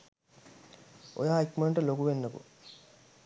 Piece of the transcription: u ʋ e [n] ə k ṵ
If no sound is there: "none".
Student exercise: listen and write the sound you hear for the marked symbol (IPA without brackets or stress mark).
nː